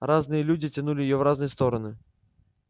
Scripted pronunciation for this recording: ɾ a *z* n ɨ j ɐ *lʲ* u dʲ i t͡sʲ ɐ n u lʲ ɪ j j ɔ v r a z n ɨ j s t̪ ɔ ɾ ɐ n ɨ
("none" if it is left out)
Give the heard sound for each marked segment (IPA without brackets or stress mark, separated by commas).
z, lʲ